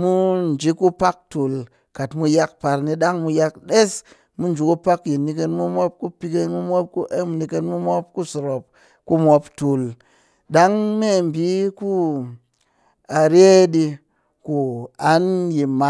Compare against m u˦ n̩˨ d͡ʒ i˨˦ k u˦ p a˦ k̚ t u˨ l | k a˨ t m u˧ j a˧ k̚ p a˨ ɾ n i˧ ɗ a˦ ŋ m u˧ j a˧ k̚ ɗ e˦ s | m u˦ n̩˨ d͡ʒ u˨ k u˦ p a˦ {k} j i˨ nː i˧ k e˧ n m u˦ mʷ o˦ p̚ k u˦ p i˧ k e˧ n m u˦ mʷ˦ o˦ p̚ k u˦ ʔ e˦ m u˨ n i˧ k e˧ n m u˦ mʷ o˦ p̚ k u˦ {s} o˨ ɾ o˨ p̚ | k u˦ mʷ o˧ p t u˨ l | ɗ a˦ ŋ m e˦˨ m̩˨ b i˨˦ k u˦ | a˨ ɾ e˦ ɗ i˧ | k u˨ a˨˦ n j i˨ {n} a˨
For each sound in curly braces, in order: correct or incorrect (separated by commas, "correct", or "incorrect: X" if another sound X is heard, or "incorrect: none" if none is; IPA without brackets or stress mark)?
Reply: correct, correct, incorrect: m